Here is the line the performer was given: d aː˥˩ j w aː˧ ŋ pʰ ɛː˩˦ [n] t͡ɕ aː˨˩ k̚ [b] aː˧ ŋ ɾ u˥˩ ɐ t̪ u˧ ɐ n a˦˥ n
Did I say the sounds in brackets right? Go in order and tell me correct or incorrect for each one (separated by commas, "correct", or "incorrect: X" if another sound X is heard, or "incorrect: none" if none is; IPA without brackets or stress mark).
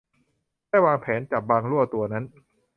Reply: correct, correct